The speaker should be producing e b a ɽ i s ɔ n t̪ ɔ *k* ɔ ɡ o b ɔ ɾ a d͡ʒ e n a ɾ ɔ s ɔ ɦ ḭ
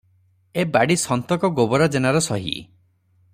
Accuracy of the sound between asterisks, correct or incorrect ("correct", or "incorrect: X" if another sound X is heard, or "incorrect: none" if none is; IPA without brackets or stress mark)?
correct